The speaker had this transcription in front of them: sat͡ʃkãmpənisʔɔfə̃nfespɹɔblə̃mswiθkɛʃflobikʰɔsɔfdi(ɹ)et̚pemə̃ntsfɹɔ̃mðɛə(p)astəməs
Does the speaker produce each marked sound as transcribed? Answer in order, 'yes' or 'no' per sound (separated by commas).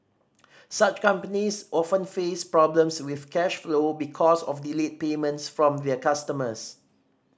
no, no